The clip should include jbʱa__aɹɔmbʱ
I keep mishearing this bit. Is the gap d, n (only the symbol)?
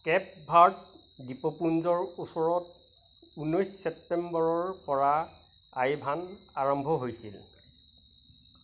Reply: n